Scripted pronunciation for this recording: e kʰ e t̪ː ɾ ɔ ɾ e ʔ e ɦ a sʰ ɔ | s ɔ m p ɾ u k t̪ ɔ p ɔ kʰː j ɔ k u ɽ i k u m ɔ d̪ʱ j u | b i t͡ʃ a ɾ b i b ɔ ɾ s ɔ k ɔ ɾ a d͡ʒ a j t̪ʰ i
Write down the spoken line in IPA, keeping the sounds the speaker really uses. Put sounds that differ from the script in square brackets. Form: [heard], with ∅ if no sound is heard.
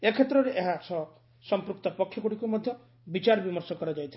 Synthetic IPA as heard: e kʰ e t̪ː ɾ ɔ ɾ e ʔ e ɦ a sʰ ɔ | s ɔ m p ɾ u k t̪ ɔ p ɔ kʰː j ɔ k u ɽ i k u m ɔ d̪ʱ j [ɔ] | b i t͡ʃ a ɾ b i [m] ɔ ɾ s ɔ k ɔ ɾ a d͡ʒ a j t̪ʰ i